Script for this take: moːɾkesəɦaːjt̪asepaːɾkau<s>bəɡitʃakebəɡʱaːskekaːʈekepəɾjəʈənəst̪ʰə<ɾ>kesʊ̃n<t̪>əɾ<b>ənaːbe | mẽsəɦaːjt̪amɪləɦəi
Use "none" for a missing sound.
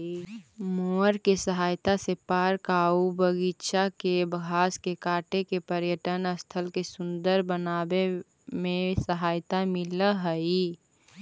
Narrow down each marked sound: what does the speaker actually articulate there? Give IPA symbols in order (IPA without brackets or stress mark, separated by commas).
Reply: none, l, d̪, b